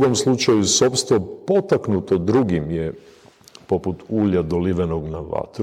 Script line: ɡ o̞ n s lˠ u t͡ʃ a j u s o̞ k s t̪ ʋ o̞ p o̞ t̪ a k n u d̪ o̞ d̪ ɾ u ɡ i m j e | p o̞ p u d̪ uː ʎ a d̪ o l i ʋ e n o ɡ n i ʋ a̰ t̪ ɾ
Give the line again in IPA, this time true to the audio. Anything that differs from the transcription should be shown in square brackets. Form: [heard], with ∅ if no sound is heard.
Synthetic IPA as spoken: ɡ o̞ [m] s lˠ u t͡ʃ a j u s o̞ [p] s t̪ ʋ o̞ p o̞ t̪ a k n u [t̪] o̞ d̪ ɾ u ɡ i m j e | p o̞ p u [t̪] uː ʎ a d̪ o l i ʋ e n o ɡ n [a] ʋ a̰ t̪ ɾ